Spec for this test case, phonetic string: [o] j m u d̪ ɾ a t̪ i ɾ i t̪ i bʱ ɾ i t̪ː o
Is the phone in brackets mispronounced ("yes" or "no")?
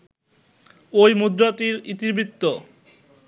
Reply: no